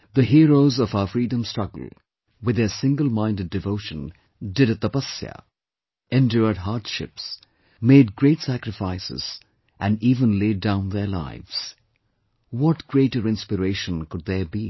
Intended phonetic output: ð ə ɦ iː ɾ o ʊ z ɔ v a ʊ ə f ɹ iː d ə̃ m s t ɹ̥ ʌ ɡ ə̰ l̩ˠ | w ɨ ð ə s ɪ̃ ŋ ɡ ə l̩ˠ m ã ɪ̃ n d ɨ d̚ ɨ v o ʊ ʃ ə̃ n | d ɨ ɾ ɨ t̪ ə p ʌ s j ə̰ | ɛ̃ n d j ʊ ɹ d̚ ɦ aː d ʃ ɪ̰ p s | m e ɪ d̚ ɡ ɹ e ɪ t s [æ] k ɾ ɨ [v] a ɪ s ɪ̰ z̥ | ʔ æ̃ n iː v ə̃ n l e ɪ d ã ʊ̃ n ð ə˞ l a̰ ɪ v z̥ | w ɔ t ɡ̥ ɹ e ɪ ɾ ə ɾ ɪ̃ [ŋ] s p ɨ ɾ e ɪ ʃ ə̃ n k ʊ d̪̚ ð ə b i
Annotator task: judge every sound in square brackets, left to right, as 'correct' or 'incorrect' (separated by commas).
correct, incorrect, incorrect